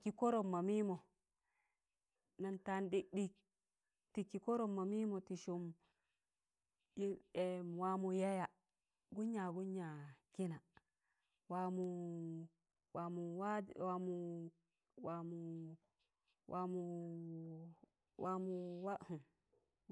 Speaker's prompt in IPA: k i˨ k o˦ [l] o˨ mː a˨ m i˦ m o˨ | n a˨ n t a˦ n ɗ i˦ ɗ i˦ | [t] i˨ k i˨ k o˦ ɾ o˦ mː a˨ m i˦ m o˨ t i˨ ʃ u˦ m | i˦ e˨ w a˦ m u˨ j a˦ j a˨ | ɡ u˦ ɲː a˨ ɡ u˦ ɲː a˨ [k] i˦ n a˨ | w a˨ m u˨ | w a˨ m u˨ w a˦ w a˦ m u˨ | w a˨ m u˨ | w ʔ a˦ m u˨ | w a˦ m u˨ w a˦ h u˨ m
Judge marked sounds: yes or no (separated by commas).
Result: no, yes, yes